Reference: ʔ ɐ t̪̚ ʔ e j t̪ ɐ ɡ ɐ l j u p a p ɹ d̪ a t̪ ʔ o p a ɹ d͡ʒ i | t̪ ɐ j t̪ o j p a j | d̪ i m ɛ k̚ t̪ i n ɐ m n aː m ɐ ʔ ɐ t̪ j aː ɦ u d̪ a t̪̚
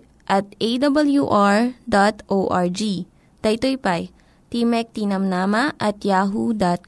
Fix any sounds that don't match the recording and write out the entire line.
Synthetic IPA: ʔ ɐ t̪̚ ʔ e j d̪ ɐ b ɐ l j u ʔ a ɹ d̪ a t̪ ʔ o ʔ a ɹ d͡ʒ i | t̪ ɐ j t̪ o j p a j | t̪ i m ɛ k̚ t̪ i n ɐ m n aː m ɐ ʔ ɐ t̪ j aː ɦ u d̪ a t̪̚